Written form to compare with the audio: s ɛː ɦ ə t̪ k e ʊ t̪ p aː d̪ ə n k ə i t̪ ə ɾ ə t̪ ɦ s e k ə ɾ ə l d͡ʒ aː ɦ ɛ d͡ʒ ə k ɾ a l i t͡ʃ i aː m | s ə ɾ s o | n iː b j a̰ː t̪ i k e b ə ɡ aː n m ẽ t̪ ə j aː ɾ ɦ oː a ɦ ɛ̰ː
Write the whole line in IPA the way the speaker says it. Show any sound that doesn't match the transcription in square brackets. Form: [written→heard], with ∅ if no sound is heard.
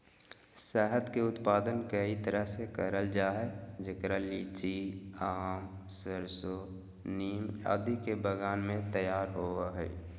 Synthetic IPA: s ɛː ɦ ə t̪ k e ʊ t̪ p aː d̪ ə n k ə i t̪ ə ɾ ə [t̪→∅] ɦ s e k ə ɾ ə l d͡ʒ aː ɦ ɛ d͡ʒ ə k ɾ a l i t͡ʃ i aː m | s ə ɾ s o | n iː [b→m] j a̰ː [t̪→d̪] i k e b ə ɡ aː n m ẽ t̪ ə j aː ɾ ɦ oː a ɦ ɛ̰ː